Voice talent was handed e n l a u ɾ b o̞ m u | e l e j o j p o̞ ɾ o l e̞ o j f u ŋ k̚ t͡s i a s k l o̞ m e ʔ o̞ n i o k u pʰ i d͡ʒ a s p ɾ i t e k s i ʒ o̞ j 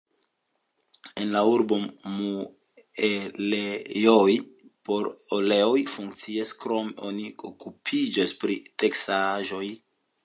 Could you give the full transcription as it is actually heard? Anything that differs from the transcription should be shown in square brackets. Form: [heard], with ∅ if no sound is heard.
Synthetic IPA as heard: e n l a u ɾ b o̞ m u | e l e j o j p o̞ ɾ o l e̞ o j f u ŋ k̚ t͡s i a s k [ɾ] o̞ m e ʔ o̞ n i o k u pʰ i d͡ʒ a s p ɾ i t e k s [a] ʒ o̞ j